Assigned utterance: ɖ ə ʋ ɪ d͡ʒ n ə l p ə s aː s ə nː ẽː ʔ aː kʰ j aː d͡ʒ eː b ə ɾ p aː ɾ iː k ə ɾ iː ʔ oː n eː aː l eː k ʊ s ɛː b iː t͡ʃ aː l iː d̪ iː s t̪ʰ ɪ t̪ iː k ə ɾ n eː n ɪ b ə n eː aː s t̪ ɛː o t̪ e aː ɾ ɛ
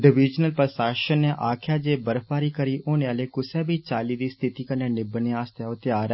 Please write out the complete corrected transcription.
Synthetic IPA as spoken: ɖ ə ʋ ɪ d͡ʒ n ə l p ə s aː ʃ ə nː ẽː ʔ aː kʰ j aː d͡ʒ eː b ə ɾ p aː ɾ iː k ə ɾ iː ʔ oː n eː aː l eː k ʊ s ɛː b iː t͡ʃ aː l iː d̪ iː s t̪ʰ ɪ t̪ iː k ə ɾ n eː n ɪ b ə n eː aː s t̪ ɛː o t̪ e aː ɾ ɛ

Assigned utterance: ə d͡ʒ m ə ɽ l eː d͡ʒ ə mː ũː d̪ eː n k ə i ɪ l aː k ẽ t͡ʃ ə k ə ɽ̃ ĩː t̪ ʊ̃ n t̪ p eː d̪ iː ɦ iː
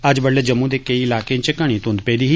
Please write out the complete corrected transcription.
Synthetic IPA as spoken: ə d͡ʒ b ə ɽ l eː d͡ʒ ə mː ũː d̪ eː k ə i ɪ l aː k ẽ t͡ʃ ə k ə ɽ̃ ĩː t̪ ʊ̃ n d̪ p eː d̪ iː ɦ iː

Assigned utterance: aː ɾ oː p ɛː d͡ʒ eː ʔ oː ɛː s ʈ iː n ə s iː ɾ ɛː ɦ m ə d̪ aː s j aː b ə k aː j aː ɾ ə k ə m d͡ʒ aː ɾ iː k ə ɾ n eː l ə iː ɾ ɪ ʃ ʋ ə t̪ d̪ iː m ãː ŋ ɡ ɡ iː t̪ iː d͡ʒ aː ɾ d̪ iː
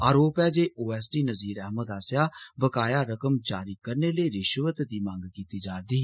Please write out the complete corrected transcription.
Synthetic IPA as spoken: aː ɾ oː p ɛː d͡ʒ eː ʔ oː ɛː s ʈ iː n ə z iː ɾ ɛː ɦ m ə d̪ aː s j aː b ə k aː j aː ɾ ə k ə m d͡ʒ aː ɾ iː k ə ɾ n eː l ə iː ɾ ɪ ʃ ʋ ə t̪ d̪ iː m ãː ŋ ɡ k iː t̪ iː d͡ʒ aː ɾ d̪ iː

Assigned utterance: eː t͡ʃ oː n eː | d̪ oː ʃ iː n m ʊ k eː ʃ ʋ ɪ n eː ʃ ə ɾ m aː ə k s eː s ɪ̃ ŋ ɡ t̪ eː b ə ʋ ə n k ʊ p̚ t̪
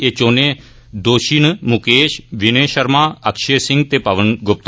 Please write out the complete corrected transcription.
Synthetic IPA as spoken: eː t͡ʃ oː n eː | d̪ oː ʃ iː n m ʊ k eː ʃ ʋ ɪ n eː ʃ ə ɾ m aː ə k ʃ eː s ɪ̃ ŋ ɡ t̪ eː p ə ʋ ə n ɡ ʊ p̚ t̪

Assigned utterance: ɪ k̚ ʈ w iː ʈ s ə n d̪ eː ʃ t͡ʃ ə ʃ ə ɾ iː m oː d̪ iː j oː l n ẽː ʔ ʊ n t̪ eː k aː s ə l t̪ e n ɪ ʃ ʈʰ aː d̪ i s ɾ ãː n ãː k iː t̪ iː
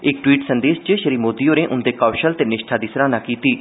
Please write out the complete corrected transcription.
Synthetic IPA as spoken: ɪ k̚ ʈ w iː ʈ s ə n d̪ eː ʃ t͡ʃ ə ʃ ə ɾ iː m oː d̪ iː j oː n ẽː ʔ ʊ n d̪ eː k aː ʃ ə l t̪ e n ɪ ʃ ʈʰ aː d̪ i s ɾ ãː n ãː k iː t̪ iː

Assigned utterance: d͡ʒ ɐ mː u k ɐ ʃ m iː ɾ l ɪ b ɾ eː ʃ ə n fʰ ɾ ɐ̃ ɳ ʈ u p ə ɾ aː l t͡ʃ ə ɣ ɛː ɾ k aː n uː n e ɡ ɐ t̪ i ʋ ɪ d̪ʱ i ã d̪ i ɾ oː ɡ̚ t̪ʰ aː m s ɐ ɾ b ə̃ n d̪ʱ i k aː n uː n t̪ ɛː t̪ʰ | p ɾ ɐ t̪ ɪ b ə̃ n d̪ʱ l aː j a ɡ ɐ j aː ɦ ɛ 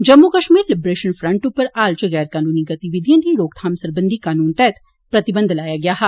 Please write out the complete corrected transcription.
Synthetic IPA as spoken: d͡ʒ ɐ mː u k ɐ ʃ m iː ɾ l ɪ b ɾ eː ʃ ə n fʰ ɾ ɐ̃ ɳ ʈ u p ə ɾ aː l t͡ʃ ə ɣ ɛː ɾ k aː n uː n i ɡ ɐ t̪ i ʋ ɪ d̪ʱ j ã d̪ i ɾ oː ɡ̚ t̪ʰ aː m s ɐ ɾ b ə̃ n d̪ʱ i k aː n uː n t̪ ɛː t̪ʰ | p ɾ ɐ t̪ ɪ b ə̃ n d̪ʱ l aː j a ɡ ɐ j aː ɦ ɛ

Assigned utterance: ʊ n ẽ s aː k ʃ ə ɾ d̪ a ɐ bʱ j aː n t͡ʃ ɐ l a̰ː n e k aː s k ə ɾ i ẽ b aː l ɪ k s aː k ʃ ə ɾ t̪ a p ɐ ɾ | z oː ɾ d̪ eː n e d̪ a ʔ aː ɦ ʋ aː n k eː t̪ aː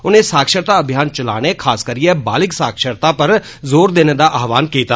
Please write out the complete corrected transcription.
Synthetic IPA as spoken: ʊ n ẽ s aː k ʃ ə ɾ t̪ a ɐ bʱ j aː n t͡ʃ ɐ l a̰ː n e kʰ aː s k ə ɾ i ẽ b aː l ɪ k s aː k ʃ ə ɾ t̪ a p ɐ ɾ | z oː ɾ d̪ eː n e d̪ a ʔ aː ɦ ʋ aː n k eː t̪ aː

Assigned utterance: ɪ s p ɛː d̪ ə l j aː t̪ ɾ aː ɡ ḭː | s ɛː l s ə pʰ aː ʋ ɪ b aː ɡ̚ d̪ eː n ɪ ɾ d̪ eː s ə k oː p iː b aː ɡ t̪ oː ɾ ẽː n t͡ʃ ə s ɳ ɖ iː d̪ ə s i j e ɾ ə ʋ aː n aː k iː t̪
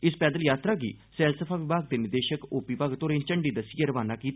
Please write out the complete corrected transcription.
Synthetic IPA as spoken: ɪ s p ɛː d̪ ə l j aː t̪ ɾ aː ɡ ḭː | s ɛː l s ə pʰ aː ʋ ɪ b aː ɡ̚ d̪ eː n ɪ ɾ d̪ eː ʃ ə k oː p iː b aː ɡ t̪ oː ɾ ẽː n t͡ʃ ə ɳ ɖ iː d̪ ə s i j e ɾ ə ʋ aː n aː k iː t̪

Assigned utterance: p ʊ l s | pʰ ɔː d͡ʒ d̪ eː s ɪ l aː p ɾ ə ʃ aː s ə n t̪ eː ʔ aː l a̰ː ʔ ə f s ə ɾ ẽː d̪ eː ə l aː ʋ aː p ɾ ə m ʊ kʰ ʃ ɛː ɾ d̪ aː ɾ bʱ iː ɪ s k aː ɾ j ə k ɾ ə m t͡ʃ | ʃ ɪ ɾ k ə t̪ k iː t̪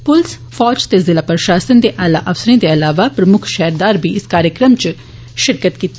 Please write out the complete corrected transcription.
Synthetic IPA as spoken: p ʊ l s | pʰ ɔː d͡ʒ t̪ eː z ɪ l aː p ɾ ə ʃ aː s ə n d̪ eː ʔ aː l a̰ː ʔ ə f s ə ɾ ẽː d̪ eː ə l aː ʋ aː p ɾ ə m ʊ kʰ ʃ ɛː ɾ d̪ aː ɾ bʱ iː ɪ s k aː ɾ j ə k ɾ ə m t͡ʃ | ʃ ɪ ɾ k ə t̪ k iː t̪

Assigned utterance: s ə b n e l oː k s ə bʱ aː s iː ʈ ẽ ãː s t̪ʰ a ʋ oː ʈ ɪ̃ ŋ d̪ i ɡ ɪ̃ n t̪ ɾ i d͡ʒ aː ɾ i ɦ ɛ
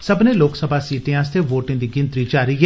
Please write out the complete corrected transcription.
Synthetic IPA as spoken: s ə b n e l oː k s ə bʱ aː s iː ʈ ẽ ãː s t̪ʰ e ʋ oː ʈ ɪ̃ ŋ d̪ i ɡ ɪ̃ n t̪ ɾ i d͡ʒ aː ɾ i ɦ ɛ

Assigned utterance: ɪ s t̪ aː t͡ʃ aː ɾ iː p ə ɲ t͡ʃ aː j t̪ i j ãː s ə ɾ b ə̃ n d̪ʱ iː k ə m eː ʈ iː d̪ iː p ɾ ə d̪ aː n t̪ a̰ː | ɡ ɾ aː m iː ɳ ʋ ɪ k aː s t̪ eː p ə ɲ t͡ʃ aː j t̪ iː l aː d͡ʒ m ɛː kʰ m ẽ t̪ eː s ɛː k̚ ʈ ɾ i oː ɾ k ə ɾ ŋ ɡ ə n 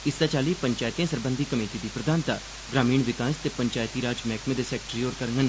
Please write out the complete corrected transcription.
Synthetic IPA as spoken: ɪ s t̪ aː t͡ʃ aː l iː p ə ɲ t͡ʃ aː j t̪ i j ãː s ə ɾ b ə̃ n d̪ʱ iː k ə m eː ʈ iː d̪ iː p ɾ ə d̪ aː n t̪ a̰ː | ɡ ɾ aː m iː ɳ ʋ ɪ k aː s t̪ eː p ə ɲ t͡ʃ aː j t̪ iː ɾ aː d͡ʒ m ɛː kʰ m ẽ d̪ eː s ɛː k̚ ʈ ɾ i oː ɾ k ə ɾ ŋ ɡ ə n

